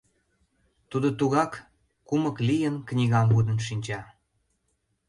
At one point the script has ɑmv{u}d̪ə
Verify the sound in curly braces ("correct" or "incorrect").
correct